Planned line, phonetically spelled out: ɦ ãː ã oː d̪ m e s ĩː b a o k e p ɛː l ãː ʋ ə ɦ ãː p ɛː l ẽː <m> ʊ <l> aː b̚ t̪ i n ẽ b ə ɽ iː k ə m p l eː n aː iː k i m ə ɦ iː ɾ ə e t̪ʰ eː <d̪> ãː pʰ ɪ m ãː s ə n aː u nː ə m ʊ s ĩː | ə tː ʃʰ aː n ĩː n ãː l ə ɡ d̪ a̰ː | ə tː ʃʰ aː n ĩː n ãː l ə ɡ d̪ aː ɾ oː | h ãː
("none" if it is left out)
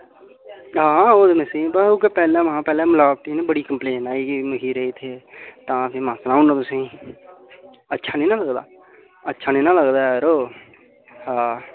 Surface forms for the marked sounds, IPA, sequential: m, l, t̪

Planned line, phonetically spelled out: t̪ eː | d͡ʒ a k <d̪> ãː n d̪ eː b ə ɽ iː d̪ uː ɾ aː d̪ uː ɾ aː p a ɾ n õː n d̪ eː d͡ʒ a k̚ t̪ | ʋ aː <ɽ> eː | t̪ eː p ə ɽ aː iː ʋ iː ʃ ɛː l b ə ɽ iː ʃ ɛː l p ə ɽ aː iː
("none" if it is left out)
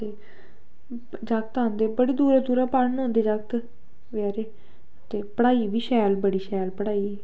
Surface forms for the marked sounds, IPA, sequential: t̪, ɾ

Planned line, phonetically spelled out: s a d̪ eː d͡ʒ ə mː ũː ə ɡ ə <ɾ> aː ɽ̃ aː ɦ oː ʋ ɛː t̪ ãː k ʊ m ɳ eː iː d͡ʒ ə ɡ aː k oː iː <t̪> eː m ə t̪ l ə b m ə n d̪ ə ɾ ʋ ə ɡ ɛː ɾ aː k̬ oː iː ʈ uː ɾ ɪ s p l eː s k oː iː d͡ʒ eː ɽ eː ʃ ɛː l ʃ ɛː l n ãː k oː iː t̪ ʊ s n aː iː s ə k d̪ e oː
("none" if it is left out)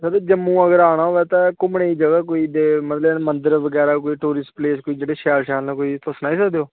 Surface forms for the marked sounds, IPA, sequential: ɾ, d̪

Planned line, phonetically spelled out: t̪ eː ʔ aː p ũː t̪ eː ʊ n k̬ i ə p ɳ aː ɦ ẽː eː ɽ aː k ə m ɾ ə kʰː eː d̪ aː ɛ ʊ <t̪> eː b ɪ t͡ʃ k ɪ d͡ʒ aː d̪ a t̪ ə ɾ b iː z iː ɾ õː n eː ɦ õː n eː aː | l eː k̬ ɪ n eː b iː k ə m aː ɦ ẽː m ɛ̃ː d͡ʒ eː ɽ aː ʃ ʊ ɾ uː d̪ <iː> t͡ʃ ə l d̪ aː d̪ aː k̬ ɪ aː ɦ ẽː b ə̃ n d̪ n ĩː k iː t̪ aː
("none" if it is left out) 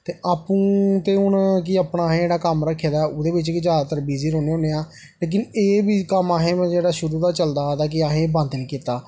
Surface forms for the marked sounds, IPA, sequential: d̪, aː

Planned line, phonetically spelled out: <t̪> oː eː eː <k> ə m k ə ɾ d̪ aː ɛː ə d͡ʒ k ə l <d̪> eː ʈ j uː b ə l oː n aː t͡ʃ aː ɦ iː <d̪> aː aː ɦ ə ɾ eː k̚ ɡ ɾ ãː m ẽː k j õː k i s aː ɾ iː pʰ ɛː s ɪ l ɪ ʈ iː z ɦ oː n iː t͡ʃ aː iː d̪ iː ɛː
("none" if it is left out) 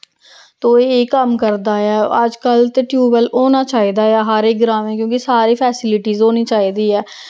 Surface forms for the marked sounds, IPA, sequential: t̪, k, t̪, d̪

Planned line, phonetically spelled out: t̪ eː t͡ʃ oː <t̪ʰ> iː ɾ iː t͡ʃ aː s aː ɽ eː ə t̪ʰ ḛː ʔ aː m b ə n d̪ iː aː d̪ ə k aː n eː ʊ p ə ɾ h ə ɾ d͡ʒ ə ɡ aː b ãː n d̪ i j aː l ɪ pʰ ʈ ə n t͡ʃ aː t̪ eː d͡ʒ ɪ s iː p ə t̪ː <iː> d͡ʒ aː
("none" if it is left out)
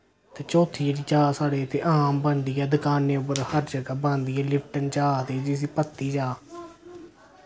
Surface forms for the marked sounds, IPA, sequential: t̪ʰ, iː

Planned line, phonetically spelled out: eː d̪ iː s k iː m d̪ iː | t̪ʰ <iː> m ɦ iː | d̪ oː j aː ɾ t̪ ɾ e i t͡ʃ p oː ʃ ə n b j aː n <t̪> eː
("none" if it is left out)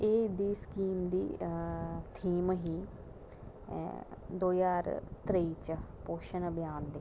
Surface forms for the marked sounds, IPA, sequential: iː, d̪

